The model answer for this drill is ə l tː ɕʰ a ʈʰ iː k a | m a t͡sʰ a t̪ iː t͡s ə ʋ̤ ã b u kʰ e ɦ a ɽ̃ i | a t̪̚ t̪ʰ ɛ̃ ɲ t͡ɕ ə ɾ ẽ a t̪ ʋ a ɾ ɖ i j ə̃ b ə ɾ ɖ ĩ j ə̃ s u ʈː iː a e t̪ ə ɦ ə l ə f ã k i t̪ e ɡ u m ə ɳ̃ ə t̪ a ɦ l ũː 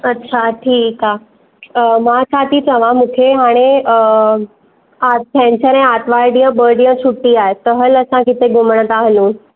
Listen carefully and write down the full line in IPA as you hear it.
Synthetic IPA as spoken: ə tː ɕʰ a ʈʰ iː k a | m a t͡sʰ a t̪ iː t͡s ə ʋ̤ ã m u kʰ e ɦ a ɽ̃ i | a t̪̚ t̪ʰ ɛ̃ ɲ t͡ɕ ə ɾ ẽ a t̪ ʋ a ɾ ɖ i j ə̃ b ə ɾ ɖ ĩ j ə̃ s u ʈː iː a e t̪ ə ɦ ə l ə s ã k i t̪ e ɡ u m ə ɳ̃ ə t̪ a ɦ l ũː